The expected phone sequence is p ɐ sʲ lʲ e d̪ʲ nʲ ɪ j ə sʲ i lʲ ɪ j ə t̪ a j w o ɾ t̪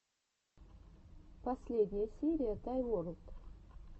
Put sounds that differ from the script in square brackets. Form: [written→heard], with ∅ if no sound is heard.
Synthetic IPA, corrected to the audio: p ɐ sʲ lʲ e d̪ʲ nʲ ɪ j ə sʲ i [lʲ→ɾʲ] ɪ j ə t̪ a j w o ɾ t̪

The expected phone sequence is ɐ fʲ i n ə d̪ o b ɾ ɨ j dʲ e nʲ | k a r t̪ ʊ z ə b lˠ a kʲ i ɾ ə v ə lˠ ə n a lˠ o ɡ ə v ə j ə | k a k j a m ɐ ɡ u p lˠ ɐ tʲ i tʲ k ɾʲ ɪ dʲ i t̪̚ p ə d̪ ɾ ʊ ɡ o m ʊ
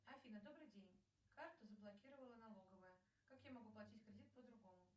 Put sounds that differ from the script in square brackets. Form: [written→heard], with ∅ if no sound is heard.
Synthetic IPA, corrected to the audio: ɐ fʲ i n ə d̪ o b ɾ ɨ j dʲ e nʲ | k a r t̪ ʊ z ə b lˠ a kʲ i ɾ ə v ə lˠ ə n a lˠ o ɡ ə v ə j ə | k a k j a m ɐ ɡ u p lˠ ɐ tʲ i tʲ k ɾʲ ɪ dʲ i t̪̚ p ə d̪ ɾ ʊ ɡ o m ʊ

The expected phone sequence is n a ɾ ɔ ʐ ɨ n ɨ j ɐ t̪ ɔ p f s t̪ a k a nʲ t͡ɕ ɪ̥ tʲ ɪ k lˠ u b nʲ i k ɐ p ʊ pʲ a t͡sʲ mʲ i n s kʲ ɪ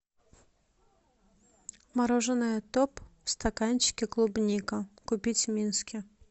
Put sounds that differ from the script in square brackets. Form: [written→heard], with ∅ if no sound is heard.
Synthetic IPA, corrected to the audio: [n→m] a ɾ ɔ ʐ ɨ n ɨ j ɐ t̪ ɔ p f s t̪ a k a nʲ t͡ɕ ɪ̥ [tʲ→kʲ] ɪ k lˠ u b nʲ i k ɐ [p→k] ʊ pʲ [a→i] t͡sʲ mʲ i n s kʲ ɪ

